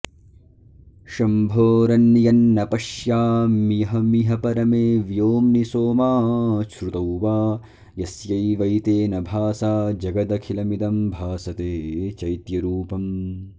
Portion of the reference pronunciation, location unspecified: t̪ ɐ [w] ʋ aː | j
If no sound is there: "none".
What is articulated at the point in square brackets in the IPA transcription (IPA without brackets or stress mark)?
w